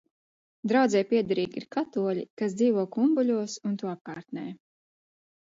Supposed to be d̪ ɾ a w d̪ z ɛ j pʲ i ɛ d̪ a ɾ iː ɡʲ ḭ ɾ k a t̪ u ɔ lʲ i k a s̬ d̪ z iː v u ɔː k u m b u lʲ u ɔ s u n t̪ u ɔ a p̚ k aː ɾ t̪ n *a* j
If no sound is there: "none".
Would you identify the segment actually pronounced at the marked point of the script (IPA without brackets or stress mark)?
ɛ